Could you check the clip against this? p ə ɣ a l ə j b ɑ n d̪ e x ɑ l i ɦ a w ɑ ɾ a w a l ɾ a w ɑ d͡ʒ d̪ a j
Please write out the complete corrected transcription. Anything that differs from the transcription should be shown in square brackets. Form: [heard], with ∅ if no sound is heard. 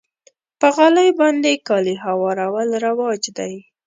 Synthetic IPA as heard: p ə ɣ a l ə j b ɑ n d̪ e [k] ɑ l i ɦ a w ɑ ɾ a w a l ɾ a w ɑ d͡ʒ d̪ a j